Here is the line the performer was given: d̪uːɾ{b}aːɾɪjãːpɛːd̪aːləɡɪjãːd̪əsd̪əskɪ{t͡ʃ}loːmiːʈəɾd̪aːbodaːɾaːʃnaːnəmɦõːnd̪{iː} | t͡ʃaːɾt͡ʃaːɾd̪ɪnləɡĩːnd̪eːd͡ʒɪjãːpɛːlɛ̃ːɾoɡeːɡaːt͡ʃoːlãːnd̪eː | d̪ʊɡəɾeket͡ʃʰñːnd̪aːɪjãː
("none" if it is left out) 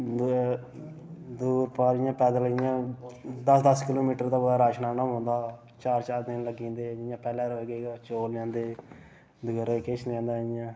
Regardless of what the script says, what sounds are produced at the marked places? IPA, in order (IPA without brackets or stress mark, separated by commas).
p, none, aː